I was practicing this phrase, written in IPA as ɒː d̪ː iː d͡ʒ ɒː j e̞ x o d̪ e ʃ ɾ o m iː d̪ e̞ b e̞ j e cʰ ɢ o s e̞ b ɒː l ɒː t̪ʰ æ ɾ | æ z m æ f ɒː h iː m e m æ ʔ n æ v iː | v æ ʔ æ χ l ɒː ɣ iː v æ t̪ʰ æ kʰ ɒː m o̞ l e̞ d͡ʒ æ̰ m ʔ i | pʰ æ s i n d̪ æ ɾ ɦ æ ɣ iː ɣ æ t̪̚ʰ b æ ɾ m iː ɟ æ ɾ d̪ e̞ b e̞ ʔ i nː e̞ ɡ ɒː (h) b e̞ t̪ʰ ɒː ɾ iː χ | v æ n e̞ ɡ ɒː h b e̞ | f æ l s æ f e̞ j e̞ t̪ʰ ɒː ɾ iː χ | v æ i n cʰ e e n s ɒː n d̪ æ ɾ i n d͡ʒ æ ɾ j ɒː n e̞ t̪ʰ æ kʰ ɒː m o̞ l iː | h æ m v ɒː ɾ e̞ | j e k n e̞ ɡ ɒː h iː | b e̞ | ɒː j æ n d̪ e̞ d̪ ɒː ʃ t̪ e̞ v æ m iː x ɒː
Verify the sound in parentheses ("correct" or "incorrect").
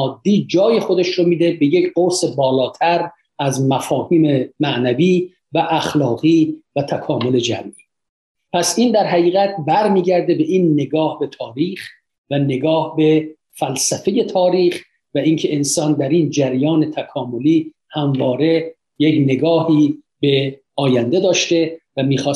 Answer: correct